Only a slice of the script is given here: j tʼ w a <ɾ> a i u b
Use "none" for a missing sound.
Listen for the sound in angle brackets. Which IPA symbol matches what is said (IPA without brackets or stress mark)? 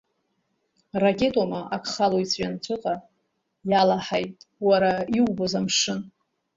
ɾ